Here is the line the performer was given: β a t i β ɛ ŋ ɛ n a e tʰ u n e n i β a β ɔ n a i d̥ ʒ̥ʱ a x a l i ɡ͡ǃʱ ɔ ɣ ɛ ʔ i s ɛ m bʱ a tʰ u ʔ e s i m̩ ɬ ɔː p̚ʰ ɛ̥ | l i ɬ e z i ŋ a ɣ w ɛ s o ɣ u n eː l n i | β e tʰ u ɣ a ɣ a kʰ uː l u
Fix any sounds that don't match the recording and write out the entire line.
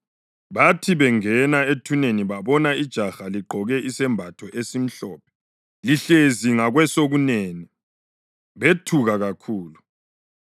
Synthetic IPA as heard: β a tʰ i β ɛ ŋ ɛ n a e tʰ u n e n i β a β ɔ n a i d̥ ʒ̥ʱ a x a l i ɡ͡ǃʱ ɔ ɣ ɛ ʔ i s ɛ m bʱ a tʰ ɔ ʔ e s i m̩ ɬ ɔː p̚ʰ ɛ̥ | l i ɬ e z i ŋ a ɣ w ɛ s o ɣ u n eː n i | β e tʰ u ɣ a ɣ a kʰ uː l u